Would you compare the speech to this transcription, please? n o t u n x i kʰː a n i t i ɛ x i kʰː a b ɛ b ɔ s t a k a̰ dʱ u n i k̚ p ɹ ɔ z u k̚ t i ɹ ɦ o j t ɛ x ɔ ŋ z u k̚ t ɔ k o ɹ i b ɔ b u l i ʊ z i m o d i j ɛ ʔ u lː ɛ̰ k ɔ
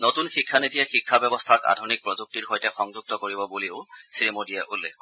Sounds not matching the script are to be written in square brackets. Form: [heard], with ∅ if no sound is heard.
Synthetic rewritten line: n o t u n x i kʰː a n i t i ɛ x i kʰː a b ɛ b ɔ s [tʰ] a k a̰ dʱ u n i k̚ p ɹ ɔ z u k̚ t i ɹ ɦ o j t ɛ x ɔ ŋ z u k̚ t ɔ k o ɹ i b ɔ b u l i ʊ [s] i m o d i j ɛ ʔ u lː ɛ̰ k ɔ

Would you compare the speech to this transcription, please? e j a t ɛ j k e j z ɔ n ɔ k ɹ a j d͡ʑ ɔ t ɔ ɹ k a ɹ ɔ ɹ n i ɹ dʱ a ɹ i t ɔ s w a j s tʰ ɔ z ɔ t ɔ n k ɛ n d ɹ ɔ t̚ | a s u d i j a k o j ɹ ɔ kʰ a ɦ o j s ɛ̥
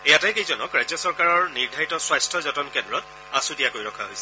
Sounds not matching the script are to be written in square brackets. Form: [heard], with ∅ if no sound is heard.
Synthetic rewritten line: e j a t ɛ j k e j z ɔ n ɔ k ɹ a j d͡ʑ ɔ [s] ɔ ɹ k a ɹ ɔ ɹ n i ɹ dʱ a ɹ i t ɔ s w a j s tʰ ɔ z ɔ t ɔ n k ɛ n d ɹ ɔ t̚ | a s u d i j a k o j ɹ ɔ kʰ a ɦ o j s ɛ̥

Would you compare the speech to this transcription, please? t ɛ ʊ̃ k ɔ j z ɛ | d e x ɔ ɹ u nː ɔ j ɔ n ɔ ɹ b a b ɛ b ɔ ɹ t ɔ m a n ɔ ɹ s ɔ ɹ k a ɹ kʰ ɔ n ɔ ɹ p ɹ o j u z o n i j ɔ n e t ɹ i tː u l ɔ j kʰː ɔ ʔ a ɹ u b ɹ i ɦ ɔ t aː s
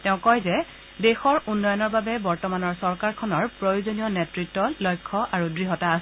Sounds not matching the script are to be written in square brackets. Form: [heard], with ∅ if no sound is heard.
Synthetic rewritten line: t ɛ ʊ̃ k ɔ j z ɛ | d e x ɔ ɹ u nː ɔ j ɔ n ɔ ɹ b a b ɛ b ɔ ɹ t ɔ m a n ɔ ɹ s ɔ ɹ k a ɹ kʰ ɔ n ɔ ɹ p ɹ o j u z o n i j ɔ n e t ɹ i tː [ɔ] l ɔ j kʰː ɔ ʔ a ɹ u [d] ɹ i ɦ ɔ t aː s

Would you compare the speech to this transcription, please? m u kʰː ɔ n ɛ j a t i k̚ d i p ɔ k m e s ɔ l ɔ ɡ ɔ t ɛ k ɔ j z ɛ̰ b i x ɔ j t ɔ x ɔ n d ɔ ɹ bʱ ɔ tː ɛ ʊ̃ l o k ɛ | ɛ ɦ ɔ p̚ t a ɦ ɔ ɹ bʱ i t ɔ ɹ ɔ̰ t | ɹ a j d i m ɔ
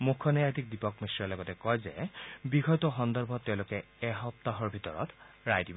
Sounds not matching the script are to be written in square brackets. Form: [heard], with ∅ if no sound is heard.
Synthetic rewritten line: m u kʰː ɔ n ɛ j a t i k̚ d i p ɔ k m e s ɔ l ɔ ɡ ɔ t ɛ k ɔ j z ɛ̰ b i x ɔ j t ɔ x ɔ n d ɔ ɹ bʱ ɔ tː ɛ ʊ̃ l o k ɛ | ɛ ɦ ɔ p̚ t a ɦ ɔ ɹ bʱ i t ɔ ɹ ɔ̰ t | ɹ a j d i [b] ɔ

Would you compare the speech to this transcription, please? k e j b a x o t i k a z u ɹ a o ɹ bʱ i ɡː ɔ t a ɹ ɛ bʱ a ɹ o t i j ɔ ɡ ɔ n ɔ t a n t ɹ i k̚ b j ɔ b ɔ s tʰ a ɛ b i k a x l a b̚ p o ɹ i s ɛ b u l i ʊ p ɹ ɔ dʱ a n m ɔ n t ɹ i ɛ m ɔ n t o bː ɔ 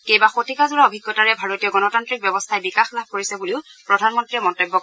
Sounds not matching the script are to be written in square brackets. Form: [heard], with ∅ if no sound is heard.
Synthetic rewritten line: k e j b a x o t i k a z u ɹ a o [∅] bʱ i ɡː ɔ t a ɹ ɛ bʱ a ɹ o t i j ɔ ɡ ɔ n ɔ t a n t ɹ i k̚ b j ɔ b ɔ s tʰ a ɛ b i k a x l a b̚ [k] o ɹ i s ɛ b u l i ʊ p ɹ ɔ dʱ a n m ɔ n t ɹ i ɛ m ɔ n t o bː ɔ

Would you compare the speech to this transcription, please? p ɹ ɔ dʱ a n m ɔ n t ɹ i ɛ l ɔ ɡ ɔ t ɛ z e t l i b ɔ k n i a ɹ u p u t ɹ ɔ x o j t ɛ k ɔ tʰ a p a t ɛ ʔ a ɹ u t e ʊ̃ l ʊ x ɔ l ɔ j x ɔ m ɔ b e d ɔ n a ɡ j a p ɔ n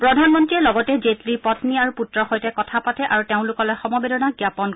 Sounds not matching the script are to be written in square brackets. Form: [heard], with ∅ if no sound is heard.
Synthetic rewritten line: p ɹ ɔ dʱ a n m ɔ n t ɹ i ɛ l ɔ ɡ ɔ t ɛ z e t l i [p] ɔ [t] n i a ɹ u p u t ɹ ɔ x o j t ɛ k ɔ tʰ a p a t ɛ ʔ a ɹ u t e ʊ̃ l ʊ [k] ɔ l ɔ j x ɔ m ɔ b e d ɔ n a ɡ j a p ɔ n

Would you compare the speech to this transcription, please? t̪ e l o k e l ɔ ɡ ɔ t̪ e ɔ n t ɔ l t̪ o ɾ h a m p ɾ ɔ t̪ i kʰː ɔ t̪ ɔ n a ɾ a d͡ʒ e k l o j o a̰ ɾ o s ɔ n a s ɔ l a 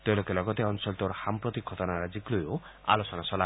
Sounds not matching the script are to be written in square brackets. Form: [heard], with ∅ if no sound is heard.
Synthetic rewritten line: t̪ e l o k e l ɔ ɡ ɔ t̪ e ɔ n [s] ɔ l t̪ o ɾ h a m p ɾ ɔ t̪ i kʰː ɔ t̪ ɔ n a ɾ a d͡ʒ [i] k l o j o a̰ [l] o s ɔ n a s ɔ l a

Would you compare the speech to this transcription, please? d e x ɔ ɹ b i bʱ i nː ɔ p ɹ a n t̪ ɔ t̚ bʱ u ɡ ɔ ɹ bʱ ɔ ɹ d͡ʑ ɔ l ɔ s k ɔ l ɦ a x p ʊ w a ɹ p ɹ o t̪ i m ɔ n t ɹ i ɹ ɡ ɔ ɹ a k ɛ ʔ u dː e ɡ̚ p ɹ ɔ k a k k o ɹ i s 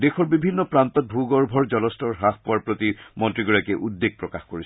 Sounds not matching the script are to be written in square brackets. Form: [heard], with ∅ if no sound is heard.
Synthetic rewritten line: d e x ɔ ɹ b i bʱ i nː ɔ p ɹ a n t̪ ɔ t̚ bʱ u ɡ ɔ ɹ bʱ ɔ ɹ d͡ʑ ɔ l ɔ s [t] ɔ [ɹ] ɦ a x p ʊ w a ɹ p ɹ o t̪ i m ɔ n t ɹ i [∅] ɡ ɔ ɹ a k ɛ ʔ u dː e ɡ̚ p ɹ ɔ k a [x] k o ɹ i s

